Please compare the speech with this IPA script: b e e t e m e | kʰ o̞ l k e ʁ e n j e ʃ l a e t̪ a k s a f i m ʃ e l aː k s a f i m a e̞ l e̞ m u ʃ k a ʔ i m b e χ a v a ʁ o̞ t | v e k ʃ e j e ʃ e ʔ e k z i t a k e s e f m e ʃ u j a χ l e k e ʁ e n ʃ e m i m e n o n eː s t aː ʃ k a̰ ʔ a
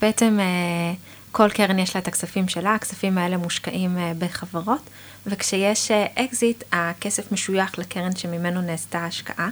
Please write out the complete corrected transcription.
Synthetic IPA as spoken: b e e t e m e | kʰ o̞ l k e ʁ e n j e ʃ l a e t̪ a k s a f i m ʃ e l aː k s a f i m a e̞ l e̞ m u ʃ k a ʔ i m b e χ a v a ʁ o̞ t | v e k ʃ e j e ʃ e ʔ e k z i t a k e s e f m e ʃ u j a χ l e k e ʁ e n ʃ e m i m e n o n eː s t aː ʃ k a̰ ʔ a